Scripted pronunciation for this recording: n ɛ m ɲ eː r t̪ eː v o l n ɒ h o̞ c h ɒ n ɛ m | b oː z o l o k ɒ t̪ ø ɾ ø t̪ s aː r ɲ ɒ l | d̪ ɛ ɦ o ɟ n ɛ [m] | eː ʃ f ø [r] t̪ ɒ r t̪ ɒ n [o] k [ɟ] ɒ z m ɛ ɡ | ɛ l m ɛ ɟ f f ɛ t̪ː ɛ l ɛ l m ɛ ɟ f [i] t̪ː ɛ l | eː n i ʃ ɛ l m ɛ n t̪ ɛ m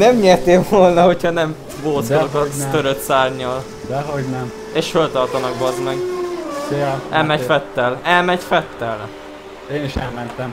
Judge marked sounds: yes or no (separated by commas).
yes, no, no, no, no